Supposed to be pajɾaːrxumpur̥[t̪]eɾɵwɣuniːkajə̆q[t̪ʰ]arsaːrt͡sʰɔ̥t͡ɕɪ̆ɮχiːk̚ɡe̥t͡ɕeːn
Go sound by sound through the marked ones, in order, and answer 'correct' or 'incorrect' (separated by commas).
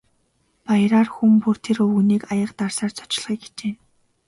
incorrect, incorrect